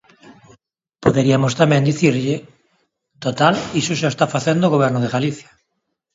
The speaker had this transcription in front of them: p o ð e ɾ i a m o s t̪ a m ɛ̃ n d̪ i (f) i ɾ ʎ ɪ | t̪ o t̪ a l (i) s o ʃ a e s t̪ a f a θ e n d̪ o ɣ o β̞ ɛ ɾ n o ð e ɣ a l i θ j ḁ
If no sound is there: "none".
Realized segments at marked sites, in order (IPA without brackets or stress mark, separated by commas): θ, i